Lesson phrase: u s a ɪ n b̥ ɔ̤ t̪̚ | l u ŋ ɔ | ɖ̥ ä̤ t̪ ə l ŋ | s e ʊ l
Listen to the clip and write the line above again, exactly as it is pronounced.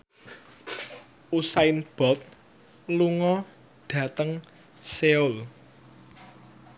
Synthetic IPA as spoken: u s a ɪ n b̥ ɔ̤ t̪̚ | l u ŋ ɔ | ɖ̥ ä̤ t̪ ə ŋ | s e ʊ l